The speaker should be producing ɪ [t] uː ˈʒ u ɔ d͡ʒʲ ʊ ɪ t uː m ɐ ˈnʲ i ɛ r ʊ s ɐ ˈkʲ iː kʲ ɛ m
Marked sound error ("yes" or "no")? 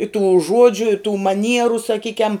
no